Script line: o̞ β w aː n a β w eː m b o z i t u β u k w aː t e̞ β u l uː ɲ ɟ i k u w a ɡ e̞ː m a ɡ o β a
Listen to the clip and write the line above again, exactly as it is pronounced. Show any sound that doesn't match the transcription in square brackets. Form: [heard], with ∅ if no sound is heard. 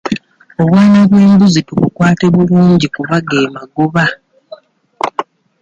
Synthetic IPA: o̞ β w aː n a β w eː m b [u] z i t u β u k w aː t e̞ β u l uː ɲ ɟ i k u [β] a ɡ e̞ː m a ɡ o β a